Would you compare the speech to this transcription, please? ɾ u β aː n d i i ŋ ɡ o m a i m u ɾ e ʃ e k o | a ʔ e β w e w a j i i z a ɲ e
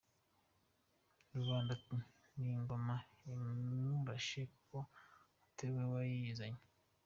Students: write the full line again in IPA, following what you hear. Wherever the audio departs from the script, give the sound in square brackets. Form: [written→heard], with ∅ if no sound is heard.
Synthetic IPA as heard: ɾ u β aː n d [i→a] i ŋ ɡ o m a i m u ɾ [e→a] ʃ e k o | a [ʔ→t] e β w e w a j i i z a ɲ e